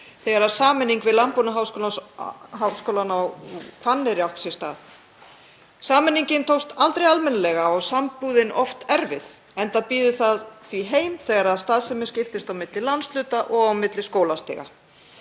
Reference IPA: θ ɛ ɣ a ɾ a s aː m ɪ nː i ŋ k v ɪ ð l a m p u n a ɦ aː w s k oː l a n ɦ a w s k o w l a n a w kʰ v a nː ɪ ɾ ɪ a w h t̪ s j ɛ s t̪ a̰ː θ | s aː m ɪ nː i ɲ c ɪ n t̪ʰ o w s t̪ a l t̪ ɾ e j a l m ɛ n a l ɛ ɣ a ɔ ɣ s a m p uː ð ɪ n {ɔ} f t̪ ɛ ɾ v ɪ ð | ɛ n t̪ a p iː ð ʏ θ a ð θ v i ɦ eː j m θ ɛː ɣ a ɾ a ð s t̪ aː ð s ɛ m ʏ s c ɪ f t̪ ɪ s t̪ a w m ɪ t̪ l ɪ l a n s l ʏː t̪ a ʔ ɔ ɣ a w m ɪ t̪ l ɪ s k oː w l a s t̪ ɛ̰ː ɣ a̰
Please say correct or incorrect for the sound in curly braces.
correct